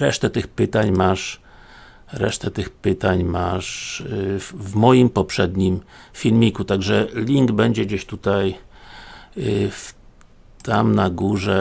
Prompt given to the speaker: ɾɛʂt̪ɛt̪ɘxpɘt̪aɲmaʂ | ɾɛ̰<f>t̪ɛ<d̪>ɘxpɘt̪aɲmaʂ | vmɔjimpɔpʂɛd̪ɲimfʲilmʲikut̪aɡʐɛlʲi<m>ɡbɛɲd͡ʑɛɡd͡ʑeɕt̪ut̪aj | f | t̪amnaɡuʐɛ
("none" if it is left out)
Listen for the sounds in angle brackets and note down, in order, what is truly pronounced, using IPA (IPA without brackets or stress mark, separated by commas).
ʂ, t̪, ŋ